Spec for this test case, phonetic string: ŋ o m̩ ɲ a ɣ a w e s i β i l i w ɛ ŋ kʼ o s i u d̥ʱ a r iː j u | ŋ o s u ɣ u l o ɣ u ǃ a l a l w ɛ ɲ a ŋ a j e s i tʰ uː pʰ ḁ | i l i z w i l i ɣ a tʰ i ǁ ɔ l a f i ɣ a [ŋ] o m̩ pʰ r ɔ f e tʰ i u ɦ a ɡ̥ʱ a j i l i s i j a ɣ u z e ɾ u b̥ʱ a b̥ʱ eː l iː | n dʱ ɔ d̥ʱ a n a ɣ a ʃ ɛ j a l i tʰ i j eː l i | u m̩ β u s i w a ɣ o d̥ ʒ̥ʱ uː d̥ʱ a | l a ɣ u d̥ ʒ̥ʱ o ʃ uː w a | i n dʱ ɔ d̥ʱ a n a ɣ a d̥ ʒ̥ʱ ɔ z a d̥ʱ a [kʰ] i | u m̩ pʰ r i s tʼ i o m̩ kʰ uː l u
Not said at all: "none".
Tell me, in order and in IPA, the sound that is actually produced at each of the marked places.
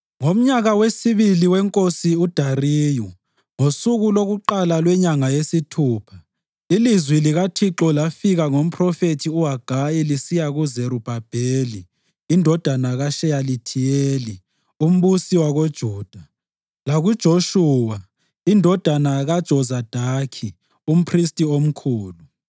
ŋ, kʰ

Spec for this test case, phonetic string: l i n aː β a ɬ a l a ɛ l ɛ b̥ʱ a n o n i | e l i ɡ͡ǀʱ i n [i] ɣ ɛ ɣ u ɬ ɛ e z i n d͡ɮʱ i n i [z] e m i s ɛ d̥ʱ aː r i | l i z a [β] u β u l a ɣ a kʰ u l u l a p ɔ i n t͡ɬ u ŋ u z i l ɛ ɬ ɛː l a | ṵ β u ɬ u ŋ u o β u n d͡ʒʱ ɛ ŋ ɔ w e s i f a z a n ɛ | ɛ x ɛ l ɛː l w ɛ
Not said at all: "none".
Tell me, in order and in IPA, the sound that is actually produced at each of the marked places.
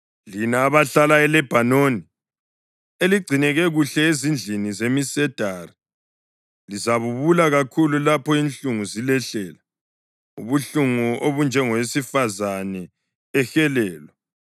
ɛ, z, β

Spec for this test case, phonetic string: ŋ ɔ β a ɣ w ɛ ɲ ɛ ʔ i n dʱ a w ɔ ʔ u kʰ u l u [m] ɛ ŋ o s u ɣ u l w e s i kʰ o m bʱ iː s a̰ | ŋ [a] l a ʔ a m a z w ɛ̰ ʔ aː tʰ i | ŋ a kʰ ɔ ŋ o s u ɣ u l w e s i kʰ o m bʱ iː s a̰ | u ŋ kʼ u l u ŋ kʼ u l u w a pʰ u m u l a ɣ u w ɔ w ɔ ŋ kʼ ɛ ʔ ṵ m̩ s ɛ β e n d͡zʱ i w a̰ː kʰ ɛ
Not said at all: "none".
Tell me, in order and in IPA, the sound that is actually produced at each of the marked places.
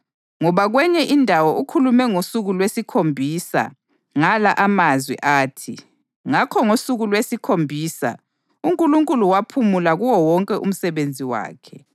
m, a

